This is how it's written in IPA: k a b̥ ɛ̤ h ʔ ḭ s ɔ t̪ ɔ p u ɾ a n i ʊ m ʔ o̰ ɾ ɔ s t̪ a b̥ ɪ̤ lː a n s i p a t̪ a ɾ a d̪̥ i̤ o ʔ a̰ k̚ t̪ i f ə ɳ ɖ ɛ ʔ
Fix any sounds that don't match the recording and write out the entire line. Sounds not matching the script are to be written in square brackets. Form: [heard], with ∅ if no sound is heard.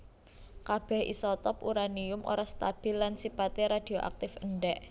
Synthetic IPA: k a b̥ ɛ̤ h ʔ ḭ s ɔ t̪ ɔ p u ɾ a n i ʊ m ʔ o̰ ɾ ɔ s t̪ a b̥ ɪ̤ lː a n s i p a t̪ [e] ɾ a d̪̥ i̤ o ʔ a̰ k̚ t̪ [ɪ] f ə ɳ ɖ ɛ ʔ